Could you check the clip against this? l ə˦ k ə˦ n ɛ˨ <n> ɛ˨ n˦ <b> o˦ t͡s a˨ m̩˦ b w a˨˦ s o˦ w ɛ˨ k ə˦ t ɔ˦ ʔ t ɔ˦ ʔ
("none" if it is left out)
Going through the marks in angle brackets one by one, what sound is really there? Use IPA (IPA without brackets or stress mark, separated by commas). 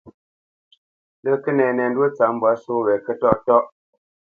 n, d